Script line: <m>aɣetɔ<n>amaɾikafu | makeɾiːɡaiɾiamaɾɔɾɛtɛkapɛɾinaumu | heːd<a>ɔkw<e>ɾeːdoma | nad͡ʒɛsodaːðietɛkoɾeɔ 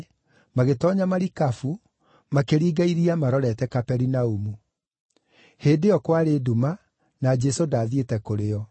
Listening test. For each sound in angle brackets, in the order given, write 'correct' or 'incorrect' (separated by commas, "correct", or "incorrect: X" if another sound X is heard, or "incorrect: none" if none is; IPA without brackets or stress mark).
correct, incorrect: ɲ, incorrect: e, incorrect: a